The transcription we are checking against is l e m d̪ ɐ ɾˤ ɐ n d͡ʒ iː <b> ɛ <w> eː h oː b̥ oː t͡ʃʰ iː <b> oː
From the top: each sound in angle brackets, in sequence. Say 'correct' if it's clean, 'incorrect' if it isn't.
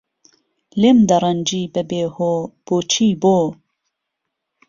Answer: correct, incorrect: b, correct

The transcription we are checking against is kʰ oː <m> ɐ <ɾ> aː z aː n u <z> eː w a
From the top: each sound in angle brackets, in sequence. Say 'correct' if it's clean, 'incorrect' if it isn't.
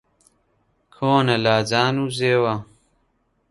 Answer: incorrect: n, incorrect: l, correct

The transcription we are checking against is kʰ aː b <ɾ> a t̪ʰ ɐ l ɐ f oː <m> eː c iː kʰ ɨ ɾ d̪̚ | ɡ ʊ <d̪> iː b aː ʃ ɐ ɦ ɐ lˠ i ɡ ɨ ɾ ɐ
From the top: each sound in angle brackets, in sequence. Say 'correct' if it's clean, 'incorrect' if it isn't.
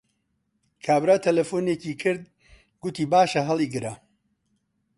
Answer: correct, incorrect: n, incorrect: t̪

